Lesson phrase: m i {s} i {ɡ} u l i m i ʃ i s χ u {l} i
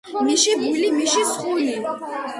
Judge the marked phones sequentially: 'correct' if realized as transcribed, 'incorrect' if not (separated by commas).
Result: incorrect, incorrect, correct